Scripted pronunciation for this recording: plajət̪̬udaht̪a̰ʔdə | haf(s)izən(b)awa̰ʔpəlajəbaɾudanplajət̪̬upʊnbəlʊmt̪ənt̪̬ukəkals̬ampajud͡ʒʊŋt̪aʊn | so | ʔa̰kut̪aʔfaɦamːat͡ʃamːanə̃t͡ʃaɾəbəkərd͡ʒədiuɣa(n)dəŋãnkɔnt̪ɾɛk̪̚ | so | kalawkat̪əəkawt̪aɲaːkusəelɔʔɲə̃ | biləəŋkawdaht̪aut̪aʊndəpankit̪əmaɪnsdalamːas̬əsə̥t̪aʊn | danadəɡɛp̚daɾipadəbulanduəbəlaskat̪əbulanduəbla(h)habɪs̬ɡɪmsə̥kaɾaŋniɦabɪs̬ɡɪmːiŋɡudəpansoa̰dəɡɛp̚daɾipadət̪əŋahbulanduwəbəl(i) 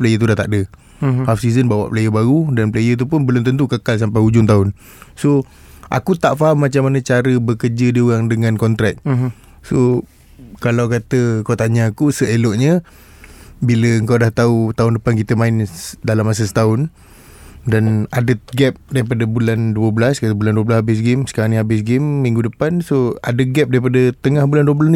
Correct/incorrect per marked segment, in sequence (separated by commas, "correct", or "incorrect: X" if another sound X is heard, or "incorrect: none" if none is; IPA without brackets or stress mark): correct, correct, incorrect: ŋ, incorrect: s, incorrect: a